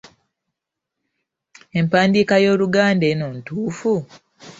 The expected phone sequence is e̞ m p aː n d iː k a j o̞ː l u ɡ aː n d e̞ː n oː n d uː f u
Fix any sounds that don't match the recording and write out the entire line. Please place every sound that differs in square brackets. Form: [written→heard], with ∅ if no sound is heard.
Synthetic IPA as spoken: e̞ m p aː n d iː k a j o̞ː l u ɡ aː n d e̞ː n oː n [d→t] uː f u